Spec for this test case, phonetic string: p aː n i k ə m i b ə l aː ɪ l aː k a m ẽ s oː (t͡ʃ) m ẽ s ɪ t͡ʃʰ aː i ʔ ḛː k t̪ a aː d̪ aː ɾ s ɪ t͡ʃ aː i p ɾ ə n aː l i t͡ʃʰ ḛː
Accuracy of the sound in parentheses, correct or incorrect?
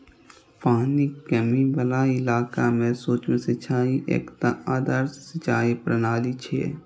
correct